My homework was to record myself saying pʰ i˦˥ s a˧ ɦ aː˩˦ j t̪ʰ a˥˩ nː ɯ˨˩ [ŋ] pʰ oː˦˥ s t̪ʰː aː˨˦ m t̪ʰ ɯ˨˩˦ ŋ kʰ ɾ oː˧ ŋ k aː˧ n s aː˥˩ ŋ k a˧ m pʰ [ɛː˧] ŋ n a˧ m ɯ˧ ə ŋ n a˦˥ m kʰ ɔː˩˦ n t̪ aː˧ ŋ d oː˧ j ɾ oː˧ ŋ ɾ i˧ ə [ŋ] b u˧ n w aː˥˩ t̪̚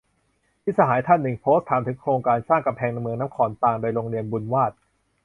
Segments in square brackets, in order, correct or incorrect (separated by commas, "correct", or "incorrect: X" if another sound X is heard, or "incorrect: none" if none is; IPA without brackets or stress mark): correct, correct, incorrect: n